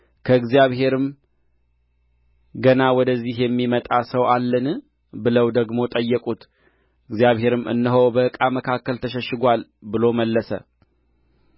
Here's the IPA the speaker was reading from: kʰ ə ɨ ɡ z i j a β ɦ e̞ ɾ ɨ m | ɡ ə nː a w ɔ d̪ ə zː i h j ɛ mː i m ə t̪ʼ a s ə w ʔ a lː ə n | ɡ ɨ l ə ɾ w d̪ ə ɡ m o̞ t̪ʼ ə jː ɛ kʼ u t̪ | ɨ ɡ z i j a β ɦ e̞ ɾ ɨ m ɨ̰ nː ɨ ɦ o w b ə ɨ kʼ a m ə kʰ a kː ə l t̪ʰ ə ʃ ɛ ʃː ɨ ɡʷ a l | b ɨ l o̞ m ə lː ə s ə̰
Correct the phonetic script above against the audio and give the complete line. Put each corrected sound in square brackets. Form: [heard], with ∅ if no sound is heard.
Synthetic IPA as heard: kʰ ə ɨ ɡ z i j a β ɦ e̞ ɾ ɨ m | ɡ ə [n] a w ɔ d̪ ə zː i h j ɛ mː i m ə t̪ʼ a s ə w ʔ a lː ə n | [b] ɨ l ə [∅] w d̪ ə ɡ m o̞ t̪ʼ ə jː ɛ kʼ u t̪ | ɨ ɡ z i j a β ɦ e̞ ɾ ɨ m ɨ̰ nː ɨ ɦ o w b ə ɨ kʼ a m ə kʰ a kː ə l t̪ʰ ə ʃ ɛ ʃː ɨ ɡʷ a l | b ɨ l o̞ m ə lː ə s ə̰